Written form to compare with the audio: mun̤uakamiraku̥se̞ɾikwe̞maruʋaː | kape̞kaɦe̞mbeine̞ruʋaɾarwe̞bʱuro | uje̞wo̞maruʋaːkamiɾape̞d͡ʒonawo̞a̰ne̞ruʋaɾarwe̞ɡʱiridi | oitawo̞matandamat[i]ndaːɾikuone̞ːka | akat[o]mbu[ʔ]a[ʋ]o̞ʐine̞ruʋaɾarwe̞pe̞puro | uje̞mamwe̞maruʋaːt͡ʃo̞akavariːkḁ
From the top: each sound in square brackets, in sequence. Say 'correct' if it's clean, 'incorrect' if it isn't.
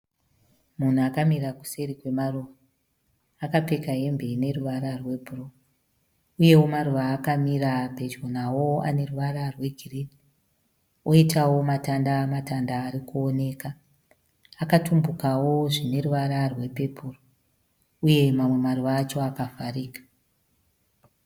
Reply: incorrect, incorrect, incorrect, incorrect

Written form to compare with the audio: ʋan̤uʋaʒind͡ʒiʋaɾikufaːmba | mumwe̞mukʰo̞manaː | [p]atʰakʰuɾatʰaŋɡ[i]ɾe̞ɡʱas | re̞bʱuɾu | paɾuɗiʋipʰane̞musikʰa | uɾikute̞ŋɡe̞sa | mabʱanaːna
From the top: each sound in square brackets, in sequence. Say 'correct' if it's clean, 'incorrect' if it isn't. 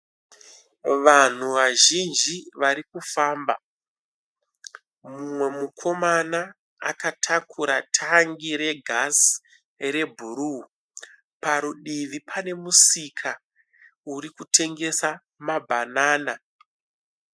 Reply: incorrect, correct

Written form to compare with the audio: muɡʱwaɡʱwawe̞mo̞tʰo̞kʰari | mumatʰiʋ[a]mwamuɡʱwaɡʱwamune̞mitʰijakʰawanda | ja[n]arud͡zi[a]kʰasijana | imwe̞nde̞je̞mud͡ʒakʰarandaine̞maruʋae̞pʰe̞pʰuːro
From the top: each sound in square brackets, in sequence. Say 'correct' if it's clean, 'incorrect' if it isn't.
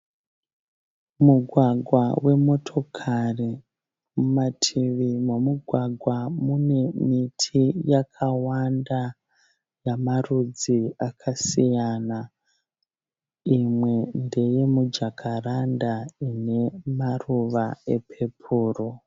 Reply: incorrect, incorrect, correct

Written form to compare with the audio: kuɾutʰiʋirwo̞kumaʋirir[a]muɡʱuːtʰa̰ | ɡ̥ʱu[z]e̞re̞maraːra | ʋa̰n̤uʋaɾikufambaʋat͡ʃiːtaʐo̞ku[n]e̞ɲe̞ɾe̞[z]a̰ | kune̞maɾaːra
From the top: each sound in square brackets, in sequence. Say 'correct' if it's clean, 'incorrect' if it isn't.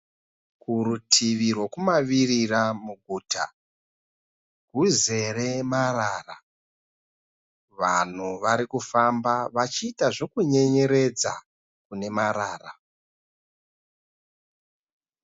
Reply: correct, correct, incorrect, incorrect

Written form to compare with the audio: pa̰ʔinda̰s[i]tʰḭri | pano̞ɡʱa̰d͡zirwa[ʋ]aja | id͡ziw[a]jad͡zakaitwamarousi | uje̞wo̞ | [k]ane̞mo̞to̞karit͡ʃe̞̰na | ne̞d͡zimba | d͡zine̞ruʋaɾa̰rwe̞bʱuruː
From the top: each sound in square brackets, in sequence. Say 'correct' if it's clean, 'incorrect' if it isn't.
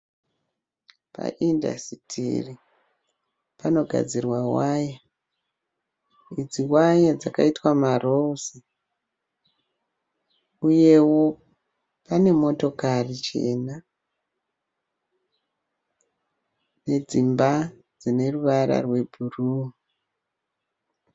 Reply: correct, incorrect, correct, incorrect

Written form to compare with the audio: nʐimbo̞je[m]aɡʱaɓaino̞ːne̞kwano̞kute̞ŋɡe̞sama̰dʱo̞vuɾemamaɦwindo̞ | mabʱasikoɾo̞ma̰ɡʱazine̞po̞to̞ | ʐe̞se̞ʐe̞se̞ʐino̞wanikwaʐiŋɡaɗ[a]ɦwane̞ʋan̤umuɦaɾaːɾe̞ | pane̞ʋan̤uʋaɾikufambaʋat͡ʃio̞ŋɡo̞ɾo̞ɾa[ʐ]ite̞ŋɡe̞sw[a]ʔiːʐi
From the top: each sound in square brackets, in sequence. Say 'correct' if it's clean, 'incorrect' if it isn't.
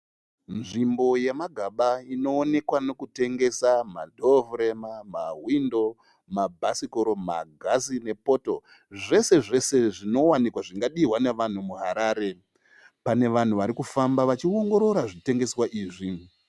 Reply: correct, incorrect, correct, correct

